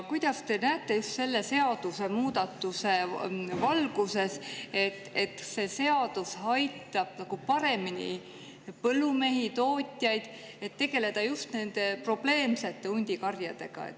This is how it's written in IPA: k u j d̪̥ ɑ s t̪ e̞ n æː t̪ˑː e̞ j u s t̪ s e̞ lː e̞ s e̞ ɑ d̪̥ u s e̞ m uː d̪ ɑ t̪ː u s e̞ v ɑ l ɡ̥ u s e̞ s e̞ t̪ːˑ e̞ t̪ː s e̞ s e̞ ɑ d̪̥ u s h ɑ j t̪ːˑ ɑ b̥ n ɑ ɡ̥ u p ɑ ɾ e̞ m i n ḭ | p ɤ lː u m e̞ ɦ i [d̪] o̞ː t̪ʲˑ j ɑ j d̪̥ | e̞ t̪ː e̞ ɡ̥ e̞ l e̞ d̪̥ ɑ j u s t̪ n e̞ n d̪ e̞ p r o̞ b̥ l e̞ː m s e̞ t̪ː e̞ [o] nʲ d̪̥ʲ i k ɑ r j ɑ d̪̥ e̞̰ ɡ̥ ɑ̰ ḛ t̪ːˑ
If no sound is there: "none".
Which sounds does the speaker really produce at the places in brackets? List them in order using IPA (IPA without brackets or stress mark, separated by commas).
t̪, u